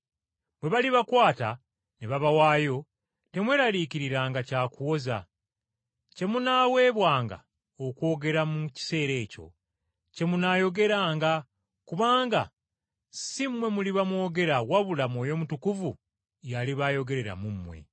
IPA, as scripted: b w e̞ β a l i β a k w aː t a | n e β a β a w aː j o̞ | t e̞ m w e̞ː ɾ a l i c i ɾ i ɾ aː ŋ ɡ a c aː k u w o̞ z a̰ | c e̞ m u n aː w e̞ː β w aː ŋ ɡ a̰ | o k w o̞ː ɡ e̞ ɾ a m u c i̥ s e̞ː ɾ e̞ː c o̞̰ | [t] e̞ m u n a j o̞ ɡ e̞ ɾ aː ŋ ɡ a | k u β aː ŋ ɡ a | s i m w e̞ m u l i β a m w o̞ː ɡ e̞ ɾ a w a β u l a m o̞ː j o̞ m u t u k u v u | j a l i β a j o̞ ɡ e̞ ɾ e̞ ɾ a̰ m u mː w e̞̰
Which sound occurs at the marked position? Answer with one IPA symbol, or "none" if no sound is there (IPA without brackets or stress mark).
c